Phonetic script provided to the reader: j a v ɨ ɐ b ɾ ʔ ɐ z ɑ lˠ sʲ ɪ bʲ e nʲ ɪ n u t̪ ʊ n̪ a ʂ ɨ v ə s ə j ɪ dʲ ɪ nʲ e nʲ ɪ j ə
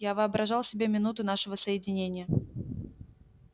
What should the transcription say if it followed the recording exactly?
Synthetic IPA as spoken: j a v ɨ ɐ b ɾ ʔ ɐ ʐ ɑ lˠ sʲ ɪ bʲ e mʲ ɪ n u t̪ ʊ n̪ a ʂ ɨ v ə s ə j ɪ dʲ ɪ nʲ e nʲ ɪ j ə